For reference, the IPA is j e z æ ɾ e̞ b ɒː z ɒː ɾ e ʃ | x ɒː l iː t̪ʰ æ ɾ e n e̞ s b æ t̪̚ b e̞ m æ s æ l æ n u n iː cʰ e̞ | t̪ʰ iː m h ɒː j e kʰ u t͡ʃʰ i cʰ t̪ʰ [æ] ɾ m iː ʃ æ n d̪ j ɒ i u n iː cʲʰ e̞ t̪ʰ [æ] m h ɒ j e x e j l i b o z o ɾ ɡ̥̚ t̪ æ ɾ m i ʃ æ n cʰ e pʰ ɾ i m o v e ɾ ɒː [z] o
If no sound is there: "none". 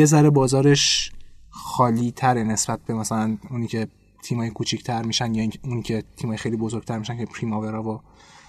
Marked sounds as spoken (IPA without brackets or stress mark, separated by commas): æ, i, v